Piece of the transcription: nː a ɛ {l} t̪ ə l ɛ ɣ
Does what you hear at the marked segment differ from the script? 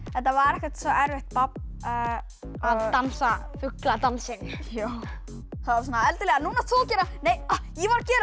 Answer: no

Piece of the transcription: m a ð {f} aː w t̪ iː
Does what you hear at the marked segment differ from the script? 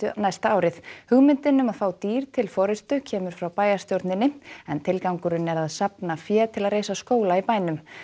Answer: no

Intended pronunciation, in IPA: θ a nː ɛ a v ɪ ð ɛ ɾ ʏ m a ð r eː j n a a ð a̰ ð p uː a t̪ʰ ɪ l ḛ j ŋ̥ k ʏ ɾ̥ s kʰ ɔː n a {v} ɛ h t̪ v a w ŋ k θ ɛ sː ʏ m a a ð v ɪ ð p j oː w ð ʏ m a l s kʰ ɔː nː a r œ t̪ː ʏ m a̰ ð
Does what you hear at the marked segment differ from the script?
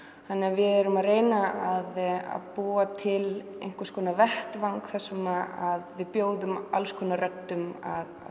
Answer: no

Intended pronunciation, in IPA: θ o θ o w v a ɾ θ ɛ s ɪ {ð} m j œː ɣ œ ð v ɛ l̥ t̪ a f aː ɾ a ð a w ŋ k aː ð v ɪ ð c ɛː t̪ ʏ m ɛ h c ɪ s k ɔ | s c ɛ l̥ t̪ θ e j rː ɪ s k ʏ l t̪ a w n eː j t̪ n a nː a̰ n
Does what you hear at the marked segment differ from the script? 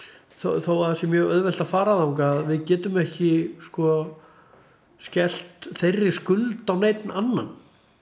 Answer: yes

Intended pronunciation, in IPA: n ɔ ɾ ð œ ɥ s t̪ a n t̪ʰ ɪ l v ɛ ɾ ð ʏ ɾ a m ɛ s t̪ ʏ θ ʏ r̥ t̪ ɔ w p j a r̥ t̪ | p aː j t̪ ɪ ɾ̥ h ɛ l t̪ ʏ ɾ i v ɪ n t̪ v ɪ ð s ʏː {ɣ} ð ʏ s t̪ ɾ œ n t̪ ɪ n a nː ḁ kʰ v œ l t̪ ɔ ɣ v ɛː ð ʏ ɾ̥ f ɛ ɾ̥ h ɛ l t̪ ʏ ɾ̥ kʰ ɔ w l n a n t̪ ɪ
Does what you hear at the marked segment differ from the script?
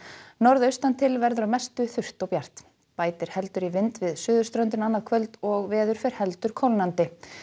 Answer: yes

